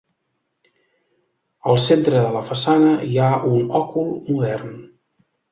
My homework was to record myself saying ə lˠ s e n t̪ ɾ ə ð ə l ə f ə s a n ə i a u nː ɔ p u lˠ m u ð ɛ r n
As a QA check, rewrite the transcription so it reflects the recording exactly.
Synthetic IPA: ə lˠ s e n t̪ ɾ ə ð ə l ə f ə s a n ə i a u n ɔ k u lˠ m u ð ɛ r n